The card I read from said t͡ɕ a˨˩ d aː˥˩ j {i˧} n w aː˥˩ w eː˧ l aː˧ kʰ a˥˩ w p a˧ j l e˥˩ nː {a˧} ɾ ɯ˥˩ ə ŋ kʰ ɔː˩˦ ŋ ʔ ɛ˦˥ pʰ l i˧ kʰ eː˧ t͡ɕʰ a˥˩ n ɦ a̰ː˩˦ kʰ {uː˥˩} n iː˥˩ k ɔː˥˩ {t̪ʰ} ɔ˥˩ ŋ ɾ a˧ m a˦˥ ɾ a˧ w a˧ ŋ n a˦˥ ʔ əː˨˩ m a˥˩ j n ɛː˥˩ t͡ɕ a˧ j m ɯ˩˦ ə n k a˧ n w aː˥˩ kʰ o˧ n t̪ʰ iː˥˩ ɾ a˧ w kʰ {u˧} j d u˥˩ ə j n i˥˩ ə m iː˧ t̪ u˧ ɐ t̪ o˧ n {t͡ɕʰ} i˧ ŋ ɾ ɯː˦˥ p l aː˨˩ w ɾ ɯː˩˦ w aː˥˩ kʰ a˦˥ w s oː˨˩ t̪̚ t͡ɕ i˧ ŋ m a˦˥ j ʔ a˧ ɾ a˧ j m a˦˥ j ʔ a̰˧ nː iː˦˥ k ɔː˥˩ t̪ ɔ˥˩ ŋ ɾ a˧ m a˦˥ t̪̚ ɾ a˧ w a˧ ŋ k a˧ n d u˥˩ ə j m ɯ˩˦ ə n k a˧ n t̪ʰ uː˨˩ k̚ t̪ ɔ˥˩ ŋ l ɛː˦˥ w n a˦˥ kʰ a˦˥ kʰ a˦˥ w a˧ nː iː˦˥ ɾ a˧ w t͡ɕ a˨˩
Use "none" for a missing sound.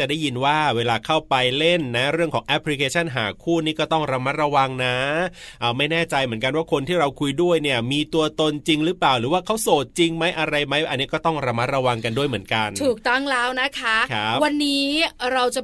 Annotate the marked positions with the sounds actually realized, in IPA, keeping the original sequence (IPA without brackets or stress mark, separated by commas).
i˧, a˦˥, uː˥˩, t̪, u˧, t͡ɕ